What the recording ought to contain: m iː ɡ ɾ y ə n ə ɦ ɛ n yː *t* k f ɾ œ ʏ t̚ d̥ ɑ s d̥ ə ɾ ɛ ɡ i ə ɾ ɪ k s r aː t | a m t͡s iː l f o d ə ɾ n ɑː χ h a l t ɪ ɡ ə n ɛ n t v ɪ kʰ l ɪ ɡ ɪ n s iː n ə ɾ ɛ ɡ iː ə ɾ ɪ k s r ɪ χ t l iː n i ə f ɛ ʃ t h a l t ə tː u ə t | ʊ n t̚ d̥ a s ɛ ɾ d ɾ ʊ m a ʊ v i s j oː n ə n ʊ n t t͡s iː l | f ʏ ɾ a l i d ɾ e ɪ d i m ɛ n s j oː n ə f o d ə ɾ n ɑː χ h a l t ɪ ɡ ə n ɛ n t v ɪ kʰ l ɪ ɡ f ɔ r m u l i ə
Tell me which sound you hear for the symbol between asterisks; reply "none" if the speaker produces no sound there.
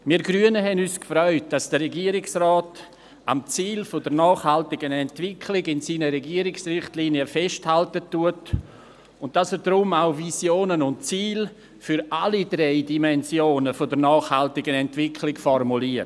s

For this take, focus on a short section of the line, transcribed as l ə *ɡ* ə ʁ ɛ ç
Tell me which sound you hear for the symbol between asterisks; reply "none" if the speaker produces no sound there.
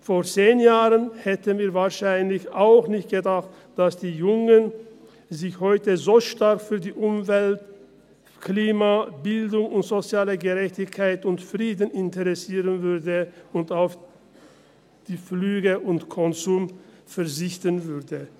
ɡ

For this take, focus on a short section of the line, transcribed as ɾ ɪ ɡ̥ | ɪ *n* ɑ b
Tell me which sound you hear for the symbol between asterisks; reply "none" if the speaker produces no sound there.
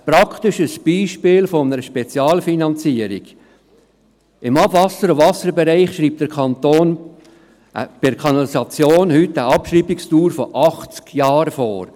m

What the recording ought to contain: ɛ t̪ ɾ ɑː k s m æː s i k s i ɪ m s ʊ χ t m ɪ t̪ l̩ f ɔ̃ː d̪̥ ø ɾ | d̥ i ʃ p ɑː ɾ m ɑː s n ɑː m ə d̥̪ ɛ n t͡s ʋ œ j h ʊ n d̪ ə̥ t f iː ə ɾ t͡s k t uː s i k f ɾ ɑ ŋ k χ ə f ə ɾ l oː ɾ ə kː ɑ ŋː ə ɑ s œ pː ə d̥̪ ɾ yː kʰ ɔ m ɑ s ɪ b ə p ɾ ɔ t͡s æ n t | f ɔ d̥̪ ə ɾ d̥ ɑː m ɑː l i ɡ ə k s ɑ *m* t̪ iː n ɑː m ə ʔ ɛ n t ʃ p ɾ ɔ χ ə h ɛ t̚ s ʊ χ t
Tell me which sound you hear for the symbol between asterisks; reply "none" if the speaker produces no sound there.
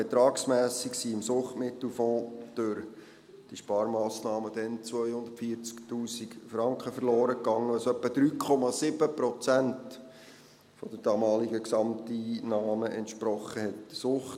m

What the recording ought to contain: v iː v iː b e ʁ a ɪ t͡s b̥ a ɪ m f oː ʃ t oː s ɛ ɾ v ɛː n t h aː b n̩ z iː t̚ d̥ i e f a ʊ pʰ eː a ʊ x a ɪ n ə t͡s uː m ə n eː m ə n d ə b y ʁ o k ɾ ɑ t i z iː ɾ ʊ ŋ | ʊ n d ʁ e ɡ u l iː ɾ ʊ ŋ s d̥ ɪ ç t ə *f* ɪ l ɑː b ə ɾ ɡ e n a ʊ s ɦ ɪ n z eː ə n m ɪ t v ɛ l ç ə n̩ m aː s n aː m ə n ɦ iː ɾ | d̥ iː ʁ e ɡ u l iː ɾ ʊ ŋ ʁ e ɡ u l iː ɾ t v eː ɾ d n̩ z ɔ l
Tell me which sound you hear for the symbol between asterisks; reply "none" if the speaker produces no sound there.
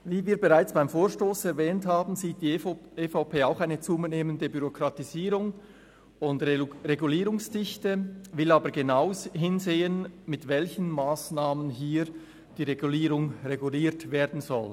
v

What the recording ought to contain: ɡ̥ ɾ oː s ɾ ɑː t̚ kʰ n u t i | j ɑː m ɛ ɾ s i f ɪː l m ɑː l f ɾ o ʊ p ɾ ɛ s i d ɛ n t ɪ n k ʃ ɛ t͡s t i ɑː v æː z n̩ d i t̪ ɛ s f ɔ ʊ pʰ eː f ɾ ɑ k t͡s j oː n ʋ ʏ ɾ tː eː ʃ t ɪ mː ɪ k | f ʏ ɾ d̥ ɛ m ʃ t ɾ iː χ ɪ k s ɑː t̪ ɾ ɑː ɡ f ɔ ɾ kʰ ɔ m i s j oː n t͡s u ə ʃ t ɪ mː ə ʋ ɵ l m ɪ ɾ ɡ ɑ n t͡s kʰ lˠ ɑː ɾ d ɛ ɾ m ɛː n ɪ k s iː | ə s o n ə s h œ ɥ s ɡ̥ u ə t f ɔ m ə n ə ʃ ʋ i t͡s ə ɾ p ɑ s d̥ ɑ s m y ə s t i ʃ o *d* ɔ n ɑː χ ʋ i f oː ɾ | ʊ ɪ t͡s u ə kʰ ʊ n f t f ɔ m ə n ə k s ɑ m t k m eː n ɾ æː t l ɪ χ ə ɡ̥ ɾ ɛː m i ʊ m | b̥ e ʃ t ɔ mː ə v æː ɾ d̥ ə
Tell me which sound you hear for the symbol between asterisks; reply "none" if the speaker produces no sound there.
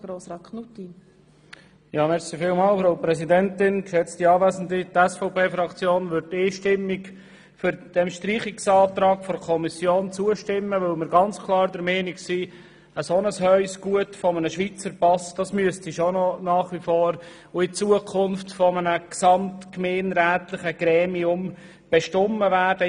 n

